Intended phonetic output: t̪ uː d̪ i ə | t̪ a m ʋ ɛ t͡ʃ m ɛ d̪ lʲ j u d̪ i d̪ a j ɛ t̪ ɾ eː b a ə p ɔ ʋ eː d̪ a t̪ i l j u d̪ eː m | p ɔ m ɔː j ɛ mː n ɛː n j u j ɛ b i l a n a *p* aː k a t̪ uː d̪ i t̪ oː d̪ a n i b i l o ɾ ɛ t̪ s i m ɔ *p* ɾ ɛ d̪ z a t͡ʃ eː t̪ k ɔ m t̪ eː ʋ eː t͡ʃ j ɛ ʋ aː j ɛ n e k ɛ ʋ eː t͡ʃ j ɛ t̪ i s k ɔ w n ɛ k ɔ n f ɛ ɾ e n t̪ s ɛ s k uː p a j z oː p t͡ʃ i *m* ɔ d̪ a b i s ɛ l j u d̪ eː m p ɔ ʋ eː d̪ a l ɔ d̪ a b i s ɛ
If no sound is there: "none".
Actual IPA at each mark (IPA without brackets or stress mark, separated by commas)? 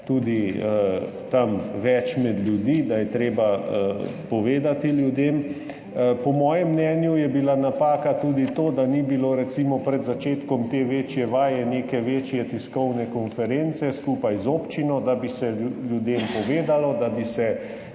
p, p, n